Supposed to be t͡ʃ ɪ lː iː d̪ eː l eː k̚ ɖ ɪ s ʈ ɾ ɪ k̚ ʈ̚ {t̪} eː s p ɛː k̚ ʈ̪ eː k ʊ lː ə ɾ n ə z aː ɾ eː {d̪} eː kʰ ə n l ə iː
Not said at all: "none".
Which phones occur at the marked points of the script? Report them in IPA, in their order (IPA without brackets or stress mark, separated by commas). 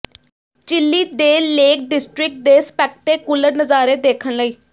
d̪, d̪